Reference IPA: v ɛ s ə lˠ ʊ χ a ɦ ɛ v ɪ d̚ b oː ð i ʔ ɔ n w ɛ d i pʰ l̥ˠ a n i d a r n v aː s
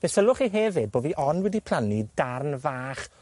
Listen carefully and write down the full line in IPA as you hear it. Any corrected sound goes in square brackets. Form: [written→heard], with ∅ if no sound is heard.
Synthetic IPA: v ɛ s ə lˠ ʊ χ [a→i] ɦ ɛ v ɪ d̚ b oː [ð→v] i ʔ ɔ n w ɛ d i pʰ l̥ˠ a n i d a r n v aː [s→χ]